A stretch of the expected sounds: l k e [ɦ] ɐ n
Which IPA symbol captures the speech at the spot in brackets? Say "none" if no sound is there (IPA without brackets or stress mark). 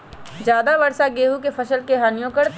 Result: ɦ